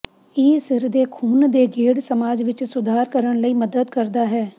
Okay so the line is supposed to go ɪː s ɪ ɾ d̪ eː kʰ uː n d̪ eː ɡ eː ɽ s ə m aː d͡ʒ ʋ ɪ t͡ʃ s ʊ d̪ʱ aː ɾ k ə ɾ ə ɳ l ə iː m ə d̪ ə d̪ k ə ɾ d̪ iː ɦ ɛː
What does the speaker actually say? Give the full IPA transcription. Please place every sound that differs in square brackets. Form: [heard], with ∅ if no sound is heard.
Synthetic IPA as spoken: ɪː s ɪ ɾ d̪ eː kʰ uː n d̪ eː ɡ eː ɽ s ə m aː d͡ʒ ʋ ɪ t͡ʃ s ʊ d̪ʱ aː ɾ k ə ɾ ə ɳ l ə iː m ə d̪ ə d̪ k ə ɾ d̪ [aː] ɦ ɛː